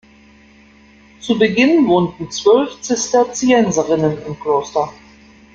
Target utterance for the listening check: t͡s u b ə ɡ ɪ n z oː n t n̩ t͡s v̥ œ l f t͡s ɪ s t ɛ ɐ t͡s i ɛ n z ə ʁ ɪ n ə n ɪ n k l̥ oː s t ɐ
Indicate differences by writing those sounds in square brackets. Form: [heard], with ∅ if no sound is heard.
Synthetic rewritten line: t͡s u b ə ɡ ɪ n [v] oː n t n̩ t͡s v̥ œ l f t͡s ɪ s t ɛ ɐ t͡s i ɛ n z ə ʁ ɪ n ə n ɪ [m] k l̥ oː s t ɐ

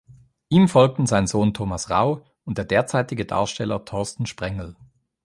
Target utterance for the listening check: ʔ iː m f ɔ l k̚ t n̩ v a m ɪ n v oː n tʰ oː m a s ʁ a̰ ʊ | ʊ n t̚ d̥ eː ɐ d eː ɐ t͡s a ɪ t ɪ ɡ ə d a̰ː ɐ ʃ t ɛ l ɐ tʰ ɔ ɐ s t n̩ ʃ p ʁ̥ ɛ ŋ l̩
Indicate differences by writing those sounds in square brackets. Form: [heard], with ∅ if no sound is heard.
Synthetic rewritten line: ʔ iː m f ɔ l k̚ t n̩ [z] a [∅] ɪ n [z] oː n tʰ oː m a s ʁ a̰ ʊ | ʊ n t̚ d̥ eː ɐ d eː ɐ t͡s a ɪ t ɪ ɡ ə d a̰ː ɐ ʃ t ɛ l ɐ tʰ ɔ ɐ s t n̩ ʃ p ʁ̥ ɛ ŋ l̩

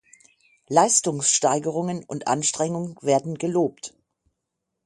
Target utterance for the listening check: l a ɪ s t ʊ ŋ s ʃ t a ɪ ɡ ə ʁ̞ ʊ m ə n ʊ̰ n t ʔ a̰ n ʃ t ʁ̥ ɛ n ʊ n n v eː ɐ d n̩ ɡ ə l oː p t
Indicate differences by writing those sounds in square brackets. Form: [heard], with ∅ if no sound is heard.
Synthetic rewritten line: l a ɪ s t ʊ ŋ s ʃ t a ɪ ɡ ə ʁ̞ ʊ [ŋ] ə n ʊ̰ n t ʔ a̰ n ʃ t ʁ̥ ɛ [ŋ] ʊ [ŋ] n v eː ɐ d n̩ ɡ ə l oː p t

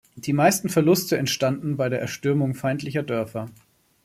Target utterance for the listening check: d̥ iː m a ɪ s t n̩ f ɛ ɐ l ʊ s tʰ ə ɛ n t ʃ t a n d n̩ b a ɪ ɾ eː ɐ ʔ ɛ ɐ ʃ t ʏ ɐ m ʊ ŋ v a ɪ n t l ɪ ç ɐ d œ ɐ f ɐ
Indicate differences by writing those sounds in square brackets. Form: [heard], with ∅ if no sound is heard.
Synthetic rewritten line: d̥ iː m a ɪ s t n̩ f ɛ ɐ l ʊ s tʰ ə ɛ n t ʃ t a n d n̩ b a ɪ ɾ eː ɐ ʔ ɛ ɐ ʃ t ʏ ɐ m ʊ ŋ [f] a ɪ n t l ɪ ç ɐ d œ ɐ f ɐ

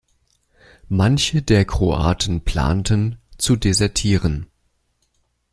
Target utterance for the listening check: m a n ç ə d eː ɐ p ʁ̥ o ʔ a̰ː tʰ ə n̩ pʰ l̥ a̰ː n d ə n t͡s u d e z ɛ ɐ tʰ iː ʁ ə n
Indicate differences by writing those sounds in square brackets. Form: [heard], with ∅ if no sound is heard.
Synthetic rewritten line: m a n ç ə d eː ɐ [k] ʁ̥ o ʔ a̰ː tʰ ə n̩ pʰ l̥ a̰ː n [t] ə n t͡s u d e z ɛ ɐ tʰ iː ʁ ə n

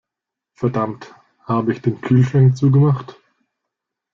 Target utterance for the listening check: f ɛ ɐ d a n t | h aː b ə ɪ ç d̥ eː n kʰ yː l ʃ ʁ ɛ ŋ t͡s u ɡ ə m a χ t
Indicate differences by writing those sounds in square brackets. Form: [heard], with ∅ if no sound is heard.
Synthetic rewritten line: f ɛ ɐ d a [m] t | h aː b ə ɪ ç d̥ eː n kʰ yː l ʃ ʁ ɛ ŋ t͡s [uː] ɡ ə m a χ t

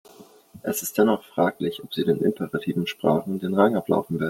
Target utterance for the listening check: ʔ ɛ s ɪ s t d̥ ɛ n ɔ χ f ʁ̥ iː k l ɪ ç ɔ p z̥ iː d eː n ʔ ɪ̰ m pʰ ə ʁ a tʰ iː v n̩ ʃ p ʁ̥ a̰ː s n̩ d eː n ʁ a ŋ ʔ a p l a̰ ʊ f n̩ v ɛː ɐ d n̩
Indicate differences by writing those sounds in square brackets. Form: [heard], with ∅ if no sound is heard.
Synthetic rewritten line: ʔ ɛ s ɪ s t d̥ ɛ n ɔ χ f ʁ̥ [aː] k l ɪ ç ɔ p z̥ iː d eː n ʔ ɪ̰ m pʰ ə ʁ a tʰ iː v n̩ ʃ p ʁ̥ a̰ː [χ] n̩ d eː n ʁ a ŋ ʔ a p l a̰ ʊ f n̩ v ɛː ɐ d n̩

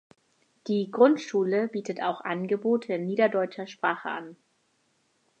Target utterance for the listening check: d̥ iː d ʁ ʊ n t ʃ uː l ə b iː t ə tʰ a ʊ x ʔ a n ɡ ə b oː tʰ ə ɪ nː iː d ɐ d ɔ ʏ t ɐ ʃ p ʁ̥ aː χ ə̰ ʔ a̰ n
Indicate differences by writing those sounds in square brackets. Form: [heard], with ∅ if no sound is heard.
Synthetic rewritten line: d̥ iː [ɡ] ʁ ʊ n t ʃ uː l ə b iː t ə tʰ a ʊ x ʔ a n ɡ ə b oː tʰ ə ɪ nː iː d ɐ d ɔ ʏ [t͡ʃ] ɐ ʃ p ʁ̥ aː χ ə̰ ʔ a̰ n

